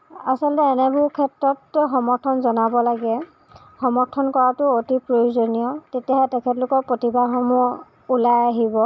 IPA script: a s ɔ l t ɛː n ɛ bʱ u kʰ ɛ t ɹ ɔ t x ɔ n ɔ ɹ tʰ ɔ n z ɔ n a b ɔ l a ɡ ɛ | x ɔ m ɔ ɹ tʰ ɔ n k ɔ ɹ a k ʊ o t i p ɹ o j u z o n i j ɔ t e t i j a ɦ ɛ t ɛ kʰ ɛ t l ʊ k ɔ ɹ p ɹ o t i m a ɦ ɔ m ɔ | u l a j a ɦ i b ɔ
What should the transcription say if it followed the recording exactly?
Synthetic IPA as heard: a s ɔ l t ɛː n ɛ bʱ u kʰ ɛ t ɹ ɔ t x ɔ m ɔ ɹ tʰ ɔ n z ɔ n a b ɔ l a ɡ ɛ | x ɔ m ɔ ɹ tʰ ɔ n k ɔ ɹ a t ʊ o t i p ɹ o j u z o n i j ɔ t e t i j a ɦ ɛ t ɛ kʰ ɛ t l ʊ k ɔ ɹ p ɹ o t i b a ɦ ɔ m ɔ | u l a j a ɦ i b ɔ